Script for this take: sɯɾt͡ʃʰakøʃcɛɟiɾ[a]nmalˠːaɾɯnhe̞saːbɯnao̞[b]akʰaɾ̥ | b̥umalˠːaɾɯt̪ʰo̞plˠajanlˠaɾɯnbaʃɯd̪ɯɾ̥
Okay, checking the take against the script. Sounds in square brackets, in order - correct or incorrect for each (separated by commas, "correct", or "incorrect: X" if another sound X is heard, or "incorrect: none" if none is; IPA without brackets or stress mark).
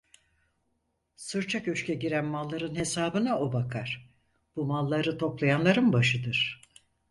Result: incorrect: æ, correct